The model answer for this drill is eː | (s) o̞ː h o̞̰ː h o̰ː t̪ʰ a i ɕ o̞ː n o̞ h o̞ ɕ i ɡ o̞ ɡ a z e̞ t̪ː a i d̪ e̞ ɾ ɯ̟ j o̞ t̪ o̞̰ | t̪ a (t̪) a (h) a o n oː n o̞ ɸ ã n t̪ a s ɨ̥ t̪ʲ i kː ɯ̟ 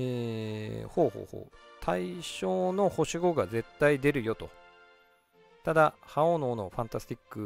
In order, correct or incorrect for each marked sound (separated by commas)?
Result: incorrect, incorrect, correct